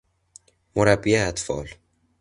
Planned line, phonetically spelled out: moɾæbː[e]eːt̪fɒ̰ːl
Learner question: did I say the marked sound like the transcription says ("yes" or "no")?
no